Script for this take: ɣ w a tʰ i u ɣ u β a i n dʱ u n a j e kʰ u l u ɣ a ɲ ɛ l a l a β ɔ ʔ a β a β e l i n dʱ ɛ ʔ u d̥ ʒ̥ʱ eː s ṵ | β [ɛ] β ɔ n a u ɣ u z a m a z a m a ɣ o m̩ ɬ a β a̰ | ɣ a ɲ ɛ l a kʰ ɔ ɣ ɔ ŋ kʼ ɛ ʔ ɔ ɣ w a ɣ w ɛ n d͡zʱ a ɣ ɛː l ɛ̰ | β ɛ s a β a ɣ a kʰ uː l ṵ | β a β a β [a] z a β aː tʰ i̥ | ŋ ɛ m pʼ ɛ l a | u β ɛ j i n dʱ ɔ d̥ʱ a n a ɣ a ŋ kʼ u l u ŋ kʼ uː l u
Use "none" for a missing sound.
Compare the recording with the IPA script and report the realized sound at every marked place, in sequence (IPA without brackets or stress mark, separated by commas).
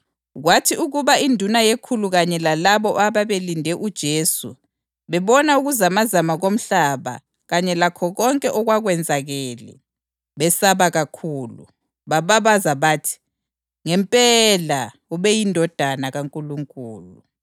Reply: ɛ, a